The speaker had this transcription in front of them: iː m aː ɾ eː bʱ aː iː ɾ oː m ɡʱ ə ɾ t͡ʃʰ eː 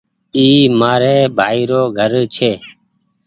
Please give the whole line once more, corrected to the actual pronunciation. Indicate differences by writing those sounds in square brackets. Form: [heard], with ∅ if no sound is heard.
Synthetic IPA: iː m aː ɾ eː bʱ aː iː ɾ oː [∅] ɡʱ ə ɾ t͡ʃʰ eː